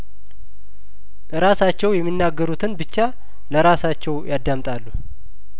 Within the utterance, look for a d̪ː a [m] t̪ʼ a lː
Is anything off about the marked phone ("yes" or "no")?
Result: no